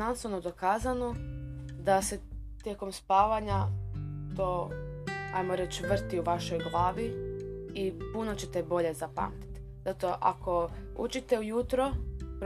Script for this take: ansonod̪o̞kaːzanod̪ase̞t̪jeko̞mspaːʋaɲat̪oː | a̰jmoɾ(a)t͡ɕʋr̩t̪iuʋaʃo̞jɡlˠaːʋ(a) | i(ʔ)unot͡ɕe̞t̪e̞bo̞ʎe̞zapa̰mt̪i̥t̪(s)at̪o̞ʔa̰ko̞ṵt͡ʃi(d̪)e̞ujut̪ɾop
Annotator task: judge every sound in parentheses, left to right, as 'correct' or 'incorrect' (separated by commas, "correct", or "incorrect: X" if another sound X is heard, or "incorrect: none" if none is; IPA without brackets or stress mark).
incorrect: e, incorrect: i, incorrect: p, incorrect: z, incorrect: t̪